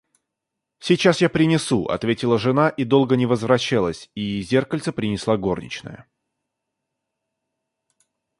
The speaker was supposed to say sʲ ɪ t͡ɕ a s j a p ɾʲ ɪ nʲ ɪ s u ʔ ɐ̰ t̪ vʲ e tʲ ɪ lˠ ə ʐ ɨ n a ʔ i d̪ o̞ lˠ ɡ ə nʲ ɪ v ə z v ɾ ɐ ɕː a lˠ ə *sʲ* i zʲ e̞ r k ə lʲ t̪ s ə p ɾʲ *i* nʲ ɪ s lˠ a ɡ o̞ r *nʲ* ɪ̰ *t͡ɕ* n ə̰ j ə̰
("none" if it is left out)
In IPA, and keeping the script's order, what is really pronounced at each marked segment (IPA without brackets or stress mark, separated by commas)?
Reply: sʲ, ɪ, nʲ, t͡ɕ